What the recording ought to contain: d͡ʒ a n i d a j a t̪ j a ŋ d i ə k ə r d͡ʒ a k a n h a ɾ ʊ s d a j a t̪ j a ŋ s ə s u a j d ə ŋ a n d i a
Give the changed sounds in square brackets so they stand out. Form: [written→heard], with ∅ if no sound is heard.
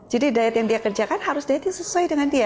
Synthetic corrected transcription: d͡ʒ a [n→d] i d a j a t̪ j a ŋ d i [ə→a] k ə r d͡ʒ a k a n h a ɾ ʊ s d a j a t̪ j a ŋ s ə s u a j d ə ŋ a n d i a